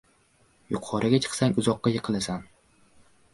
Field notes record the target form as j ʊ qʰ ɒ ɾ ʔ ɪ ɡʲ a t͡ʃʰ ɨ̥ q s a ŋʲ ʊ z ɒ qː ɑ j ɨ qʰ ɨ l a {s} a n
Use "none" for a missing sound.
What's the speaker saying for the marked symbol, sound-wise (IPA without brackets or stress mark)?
s